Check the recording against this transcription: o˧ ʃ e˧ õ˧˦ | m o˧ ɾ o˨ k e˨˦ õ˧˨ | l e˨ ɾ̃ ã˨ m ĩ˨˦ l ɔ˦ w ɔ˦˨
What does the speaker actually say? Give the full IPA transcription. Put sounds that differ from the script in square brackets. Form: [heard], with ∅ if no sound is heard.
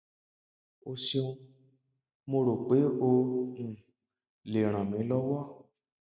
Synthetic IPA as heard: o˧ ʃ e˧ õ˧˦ | m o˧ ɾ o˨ [k͡p] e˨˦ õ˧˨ | l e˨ ɾ̃ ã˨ m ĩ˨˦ l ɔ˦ w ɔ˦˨